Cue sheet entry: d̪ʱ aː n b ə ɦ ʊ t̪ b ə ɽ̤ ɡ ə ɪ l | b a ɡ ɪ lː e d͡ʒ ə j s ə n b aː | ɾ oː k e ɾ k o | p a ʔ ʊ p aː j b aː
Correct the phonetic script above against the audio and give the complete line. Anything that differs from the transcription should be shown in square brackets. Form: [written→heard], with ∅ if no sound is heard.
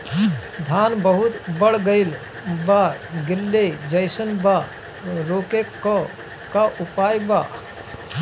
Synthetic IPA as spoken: d̪ʱ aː n b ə ɦ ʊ t̪ b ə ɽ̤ ɡ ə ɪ l | b a ɡ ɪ lː e d͡ʒ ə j s ə n b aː | ɾ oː k e [ɾ→∅] k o | [p→k] a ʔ ʊ p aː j b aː